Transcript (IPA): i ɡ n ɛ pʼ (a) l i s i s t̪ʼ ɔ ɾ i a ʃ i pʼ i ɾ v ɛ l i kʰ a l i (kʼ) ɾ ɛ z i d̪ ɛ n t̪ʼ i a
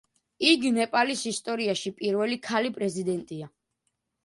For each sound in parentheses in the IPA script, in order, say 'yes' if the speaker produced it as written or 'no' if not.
yes, no

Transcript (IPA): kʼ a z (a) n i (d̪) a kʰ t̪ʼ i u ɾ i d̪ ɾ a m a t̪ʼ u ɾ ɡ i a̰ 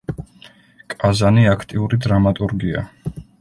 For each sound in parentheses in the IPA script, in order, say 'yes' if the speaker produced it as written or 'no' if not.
yes, no

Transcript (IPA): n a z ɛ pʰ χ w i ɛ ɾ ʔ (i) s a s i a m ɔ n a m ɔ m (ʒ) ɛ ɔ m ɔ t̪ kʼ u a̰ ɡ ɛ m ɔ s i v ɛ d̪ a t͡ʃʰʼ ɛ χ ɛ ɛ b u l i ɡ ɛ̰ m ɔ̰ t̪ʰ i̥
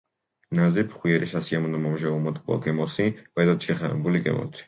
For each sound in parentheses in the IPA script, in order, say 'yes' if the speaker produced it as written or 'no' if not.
yes, yes

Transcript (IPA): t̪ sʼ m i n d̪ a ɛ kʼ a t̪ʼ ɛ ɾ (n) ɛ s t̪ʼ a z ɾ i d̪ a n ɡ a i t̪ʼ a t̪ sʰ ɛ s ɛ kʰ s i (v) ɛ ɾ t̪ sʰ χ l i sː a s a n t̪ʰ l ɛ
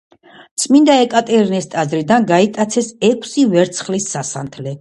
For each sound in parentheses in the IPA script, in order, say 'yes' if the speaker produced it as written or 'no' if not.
yes, yes

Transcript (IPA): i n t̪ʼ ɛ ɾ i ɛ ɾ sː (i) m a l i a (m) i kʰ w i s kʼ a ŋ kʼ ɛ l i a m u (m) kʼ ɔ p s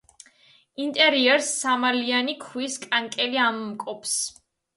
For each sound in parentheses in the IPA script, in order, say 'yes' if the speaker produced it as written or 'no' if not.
no, no, yes

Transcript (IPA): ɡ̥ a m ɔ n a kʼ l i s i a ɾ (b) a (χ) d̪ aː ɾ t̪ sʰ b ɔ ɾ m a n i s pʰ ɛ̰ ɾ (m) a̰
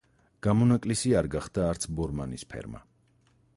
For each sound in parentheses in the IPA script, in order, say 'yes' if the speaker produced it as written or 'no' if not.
no, yes, yes

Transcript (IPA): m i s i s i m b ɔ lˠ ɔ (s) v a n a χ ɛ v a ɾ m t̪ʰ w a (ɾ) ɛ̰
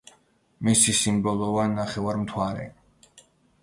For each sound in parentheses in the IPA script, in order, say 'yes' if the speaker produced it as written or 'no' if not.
no, yes

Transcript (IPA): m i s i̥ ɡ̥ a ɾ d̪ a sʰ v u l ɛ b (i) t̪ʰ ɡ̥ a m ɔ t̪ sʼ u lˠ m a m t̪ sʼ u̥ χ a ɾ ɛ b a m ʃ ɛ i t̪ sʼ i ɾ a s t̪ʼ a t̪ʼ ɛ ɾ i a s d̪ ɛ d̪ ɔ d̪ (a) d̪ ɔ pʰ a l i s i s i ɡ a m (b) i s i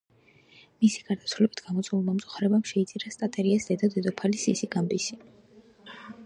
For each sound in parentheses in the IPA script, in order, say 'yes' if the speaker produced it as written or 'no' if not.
yes, no, yes

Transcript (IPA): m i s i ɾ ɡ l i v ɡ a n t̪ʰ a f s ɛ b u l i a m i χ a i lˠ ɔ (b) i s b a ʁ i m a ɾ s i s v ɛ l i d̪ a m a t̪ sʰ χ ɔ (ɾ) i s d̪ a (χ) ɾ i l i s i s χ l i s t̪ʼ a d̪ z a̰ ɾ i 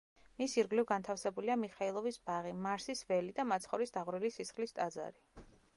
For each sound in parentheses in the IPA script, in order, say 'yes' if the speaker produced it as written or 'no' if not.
no, yes, no

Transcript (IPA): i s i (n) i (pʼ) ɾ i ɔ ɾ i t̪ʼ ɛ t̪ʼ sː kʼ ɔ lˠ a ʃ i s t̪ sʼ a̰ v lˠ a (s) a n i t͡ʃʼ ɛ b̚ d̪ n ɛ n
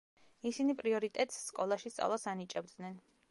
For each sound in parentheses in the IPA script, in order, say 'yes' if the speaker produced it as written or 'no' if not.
yes, yes, yes

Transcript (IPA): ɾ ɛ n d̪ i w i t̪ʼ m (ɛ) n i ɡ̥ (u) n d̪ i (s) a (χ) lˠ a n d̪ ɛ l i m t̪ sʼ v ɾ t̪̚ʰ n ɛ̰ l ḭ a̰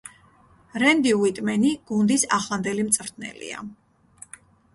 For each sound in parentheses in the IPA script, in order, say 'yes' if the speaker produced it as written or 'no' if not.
yes, yes, yes, yes

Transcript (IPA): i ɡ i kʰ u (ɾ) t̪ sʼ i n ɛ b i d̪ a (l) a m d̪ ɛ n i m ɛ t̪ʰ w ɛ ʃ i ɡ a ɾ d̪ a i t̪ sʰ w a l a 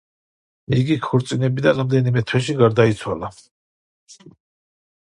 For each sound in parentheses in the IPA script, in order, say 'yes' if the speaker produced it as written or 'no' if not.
yes, no

